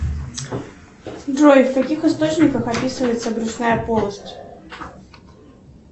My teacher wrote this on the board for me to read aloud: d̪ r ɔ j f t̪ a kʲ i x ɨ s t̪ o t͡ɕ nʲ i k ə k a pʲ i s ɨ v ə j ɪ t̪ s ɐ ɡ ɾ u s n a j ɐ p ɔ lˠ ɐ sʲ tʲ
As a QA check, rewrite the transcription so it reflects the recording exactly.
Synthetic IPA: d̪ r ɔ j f t̪ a kʲ i x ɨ s t̪ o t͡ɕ nʲ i k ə x a pʲ i s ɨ v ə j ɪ t̪ s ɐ ɡ ɾ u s n a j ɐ p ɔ lˠ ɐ sʲ tʲ